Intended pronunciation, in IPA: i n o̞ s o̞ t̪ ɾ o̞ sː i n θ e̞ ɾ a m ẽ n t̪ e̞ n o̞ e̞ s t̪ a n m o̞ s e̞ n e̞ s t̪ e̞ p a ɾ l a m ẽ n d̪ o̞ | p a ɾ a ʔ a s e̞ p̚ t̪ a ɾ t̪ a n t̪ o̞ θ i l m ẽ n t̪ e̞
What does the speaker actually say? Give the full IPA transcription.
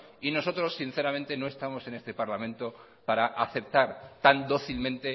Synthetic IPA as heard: i n o̞ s o̞ t̪ ɾ o̞ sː i n θ e̞ ɾ a m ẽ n t̪ e̞ n o̞ e̞ s t̪ a m o̞ s e̞ n e̞ s t̪ e̞ p a ɾ l a m ẽ n t̪ o̞ | p a ɾ a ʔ a θ e̞ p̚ t̪ a ɾ t̪ a n d̪ o̞ θ i l m ẽ n t̪ e̞